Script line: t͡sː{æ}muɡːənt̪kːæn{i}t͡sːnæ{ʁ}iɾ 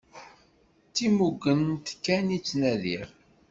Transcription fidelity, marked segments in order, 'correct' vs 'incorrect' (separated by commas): incorrect, correct, incorrect